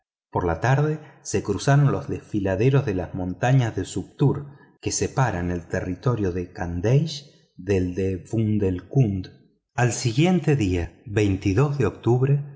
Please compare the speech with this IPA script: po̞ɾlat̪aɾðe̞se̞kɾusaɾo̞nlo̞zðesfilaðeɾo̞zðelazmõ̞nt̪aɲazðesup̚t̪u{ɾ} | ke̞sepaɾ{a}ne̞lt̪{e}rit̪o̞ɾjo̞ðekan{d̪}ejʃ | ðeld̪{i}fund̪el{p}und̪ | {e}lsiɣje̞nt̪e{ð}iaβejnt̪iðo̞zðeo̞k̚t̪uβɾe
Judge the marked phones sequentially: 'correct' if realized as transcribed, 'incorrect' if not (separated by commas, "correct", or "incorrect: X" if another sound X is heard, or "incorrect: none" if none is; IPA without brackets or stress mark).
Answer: correct, correct, correct, correct, incorrect: e, incorrect: k, incorrect: a, correct